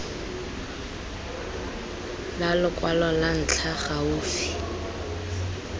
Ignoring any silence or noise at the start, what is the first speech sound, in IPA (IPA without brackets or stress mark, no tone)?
l